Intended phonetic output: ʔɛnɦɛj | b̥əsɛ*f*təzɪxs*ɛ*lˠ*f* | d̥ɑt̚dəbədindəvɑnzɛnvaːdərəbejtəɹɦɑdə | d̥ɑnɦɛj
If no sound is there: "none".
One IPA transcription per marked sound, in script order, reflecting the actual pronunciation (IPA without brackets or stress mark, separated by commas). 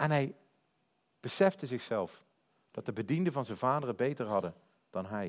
f, ɛ, f